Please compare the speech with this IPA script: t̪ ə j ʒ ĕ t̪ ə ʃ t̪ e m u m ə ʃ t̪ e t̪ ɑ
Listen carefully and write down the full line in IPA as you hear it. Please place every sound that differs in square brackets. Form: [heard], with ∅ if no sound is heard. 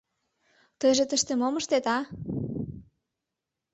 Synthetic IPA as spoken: t̪ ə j ʒ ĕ t̪ ə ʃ t̪ e m [o] m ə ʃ t̪ e t̪ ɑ

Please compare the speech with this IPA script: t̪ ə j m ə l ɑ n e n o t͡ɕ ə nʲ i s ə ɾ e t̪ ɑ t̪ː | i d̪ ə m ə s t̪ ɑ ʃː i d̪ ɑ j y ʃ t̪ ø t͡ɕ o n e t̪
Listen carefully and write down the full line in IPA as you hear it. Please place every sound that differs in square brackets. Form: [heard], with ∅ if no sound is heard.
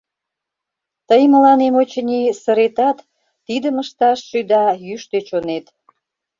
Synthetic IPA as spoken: t̪ ə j m ə l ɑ n e [m] o t͡ɕ ə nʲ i s ə ɾ e t̪ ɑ t̪ː | i d̪ ə m ə [ʃ] t̪ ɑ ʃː [y] d̪ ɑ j y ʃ t̪ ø t͡ɕ o n e t̪

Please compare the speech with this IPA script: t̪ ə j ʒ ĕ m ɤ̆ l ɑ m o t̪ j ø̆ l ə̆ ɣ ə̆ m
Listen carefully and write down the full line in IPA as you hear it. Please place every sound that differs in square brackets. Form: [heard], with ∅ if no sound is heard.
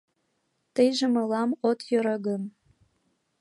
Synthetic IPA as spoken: t̪ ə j ʒ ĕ m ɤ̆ l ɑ m o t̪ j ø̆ [ɾ] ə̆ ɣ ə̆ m

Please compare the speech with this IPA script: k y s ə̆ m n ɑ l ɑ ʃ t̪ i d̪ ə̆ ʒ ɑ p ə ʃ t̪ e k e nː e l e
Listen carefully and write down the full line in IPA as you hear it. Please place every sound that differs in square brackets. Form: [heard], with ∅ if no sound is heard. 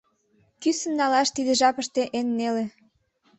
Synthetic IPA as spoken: k y s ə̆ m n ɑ l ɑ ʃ t̪ i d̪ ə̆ ʒ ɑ p ə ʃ t̪ e [ʔ] e nː e l e

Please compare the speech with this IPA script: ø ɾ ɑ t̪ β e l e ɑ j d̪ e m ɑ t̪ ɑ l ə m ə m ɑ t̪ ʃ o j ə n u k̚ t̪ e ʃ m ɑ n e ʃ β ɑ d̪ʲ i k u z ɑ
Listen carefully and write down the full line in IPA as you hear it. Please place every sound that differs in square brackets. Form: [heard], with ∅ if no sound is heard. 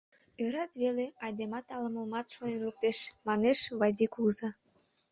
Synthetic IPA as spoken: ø ɾ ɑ t̪ β e l e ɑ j d̪ e m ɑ t̪ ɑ l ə m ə m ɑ t̪ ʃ o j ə n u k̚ t̪ e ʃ m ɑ n e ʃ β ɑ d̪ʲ i k u z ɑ

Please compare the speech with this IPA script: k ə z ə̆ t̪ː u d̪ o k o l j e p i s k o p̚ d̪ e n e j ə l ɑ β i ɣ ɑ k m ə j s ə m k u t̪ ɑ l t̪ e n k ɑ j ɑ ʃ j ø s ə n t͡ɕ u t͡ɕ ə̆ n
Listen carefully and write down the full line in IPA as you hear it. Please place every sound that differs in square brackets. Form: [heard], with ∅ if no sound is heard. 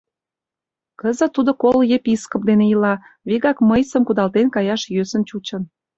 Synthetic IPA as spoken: k ə z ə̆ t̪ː u d̪ o k o l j e p i s k o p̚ d̪ e n e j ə l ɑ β i ɣ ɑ k m ə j s ə m k u [d̪] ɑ l t̪ e n k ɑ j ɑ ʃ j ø s ə n t͡ɕ u t͡ɕ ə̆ n

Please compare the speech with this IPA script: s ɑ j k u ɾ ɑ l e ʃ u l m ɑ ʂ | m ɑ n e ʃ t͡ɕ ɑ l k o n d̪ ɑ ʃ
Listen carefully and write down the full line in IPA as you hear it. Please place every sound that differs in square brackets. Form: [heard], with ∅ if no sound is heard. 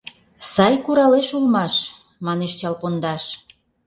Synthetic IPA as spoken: s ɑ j k u ɾ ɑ l e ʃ u l m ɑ [ʃ] | m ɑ n e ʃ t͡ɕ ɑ l [p] o n d̪ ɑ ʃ

